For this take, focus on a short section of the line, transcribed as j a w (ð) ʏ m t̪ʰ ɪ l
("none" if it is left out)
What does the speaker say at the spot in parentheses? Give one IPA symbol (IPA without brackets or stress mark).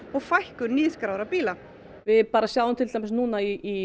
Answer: ð